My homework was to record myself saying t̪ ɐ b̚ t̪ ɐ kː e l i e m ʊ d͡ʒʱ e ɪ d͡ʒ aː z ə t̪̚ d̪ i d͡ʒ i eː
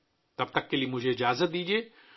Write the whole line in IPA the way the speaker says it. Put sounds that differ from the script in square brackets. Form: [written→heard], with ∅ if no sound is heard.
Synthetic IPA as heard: t̪ ɐ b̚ t̪ ɐ kː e l i e m ʊ d͡ʒʱ e ɪ d͡ʒ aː z ə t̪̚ d̪ [i→iː] d͡ʒ i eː